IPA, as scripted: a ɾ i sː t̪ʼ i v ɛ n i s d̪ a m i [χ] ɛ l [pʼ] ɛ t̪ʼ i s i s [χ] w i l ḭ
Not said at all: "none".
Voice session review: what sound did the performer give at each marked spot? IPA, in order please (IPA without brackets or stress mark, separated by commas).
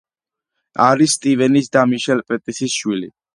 ʃ, pʼ, ʃ